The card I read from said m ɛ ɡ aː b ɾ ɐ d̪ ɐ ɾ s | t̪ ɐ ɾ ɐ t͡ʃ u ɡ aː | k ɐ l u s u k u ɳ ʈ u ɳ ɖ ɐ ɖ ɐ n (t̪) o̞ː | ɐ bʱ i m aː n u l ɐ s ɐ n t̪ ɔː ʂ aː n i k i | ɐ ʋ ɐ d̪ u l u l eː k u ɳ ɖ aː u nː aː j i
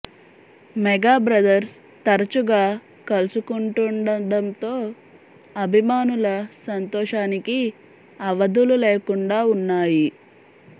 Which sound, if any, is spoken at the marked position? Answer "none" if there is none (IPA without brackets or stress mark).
t̪